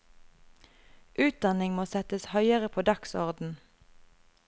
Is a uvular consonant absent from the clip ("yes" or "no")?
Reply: no